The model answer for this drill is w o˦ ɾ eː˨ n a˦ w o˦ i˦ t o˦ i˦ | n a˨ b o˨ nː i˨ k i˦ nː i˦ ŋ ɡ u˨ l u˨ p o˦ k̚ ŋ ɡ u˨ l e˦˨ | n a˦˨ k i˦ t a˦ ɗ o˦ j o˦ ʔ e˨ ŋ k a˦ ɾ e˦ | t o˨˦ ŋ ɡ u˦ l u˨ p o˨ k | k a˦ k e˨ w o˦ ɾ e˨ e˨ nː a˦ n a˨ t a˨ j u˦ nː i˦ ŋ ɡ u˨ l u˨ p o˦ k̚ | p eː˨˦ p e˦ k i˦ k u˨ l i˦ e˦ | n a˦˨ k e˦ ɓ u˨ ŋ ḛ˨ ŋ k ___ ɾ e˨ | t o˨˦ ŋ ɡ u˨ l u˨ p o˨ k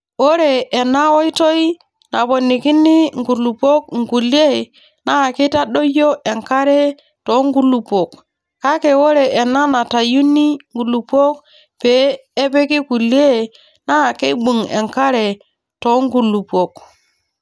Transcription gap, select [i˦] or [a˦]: a˦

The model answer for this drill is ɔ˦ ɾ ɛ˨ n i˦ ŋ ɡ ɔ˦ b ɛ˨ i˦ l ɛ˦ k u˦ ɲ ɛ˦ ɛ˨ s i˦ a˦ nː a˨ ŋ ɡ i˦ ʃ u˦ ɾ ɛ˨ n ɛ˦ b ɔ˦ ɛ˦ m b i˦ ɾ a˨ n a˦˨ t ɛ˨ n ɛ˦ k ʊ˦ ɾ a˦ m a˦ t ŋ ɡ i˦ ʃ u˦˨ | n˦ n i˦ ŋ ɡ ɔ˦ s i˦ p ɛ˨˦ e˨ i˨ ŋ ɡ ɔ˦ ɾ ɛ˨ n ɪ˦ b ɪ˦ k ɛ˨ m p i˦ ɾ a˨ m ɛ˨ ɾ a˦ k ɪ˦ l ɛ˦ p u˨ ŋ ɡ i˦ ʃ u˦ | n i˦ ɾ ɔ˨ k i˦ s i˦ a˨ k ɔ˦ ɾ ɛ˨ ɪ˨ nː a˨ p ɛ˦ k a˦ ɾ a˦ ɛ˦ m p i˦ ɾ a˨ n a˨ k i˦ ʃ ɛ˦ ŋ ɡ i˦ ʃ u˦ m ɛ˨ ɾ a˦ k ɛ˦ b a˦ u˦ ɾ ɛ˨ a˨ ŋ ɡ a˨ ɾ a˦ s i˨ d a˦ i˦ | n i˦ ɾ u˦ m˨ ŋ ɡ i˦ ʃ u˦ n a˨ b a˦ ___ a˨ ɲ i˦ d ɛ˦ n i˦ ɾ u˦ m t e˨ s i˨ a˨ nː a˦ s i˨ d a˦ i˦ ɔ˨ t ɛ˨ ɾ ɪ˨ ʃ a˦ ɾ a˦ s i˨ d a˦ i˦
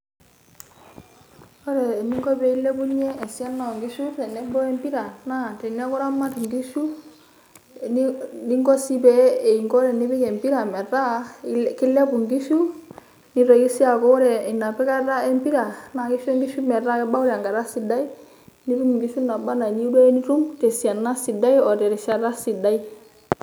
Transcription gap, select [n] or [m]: n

